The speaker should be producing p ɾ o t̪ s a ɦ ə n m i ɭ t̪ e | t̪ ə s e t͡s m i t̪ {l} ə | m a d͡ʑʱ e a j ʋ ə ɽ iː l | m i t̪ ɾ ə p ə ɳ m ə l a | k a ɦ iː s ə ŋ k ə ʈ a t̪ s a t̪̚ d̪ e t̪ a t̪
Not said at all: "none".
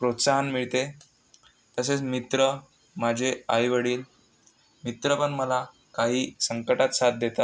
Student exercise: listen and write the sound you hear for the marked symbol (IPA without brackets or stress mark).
ɾ